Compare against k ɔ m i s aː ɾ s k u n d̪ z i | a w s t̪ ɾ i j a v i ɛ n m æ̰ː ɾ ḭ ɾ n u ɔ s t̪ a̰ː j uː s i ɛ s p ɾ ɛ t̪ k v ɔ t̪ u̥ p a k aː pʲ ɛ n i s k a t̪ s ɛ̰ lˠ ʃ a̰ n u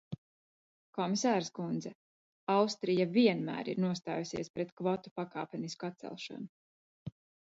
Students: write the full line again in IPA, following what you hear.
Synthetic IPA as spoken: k ɔ m i s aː ɾ s k u n d̪ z ɛ | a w s t̪ ɾ i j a v i ɛ n m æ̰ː ɾ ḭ ɾ n u ɔ s t̪ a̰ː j u s i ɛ s p ɾ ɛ t̪ k v ɔ t̪ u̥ p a k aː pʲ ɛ n i s k a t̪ s ɛ̰ lˠ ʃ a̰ n u